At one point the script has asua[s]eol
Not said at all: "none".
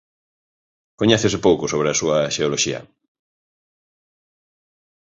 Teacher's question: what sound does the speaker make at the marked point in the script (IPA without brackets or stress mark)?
ʃ